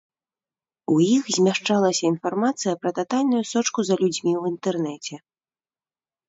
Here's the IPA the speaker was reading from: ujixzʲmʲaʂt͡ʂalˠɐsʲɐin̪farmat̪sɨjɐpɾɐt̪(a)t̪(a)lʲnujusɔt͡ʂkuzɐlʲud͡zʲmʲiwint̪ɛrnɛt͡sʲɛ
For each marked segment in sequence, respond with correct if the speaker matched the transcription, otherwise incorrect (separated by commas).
correct, correct